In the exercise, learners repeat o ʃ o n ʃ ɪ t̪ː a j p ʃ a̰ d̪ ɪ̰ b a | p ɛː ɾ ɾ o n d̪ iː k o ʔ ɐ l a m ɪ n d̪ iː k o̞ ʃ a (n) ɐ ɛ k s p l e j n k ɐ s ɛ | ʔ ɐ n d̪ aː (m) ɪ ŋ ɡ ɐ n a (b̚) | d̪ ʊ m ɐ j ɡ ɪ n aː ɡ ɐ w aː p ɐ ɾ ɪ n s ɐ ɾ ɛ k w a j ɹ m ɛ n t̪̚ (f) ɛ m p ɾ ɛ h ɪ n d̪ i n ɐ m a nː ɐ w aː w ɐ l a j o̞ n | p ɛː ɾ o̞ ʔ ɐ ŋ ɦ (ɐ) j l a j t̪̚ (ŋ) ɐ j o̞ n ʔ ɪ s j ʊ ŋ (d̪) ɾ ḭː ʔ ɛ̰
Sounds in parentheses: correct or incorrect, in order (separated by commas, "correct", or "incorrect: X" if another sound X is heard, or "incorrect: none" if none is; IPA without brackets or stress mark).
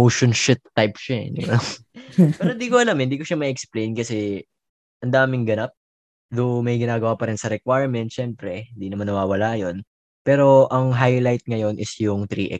incorrect: m, correct, incorrect: p̚, incorrect: ʃ, incorrect: a, correct, incorrect: t̪